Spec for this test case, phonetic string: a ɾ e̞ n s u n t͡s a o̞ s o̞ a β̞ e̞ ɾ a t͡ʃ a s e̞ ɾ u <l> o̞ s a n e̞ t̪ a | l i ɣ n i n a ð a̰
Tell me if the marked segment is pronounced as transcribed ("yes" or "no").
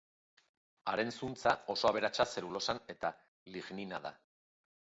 yes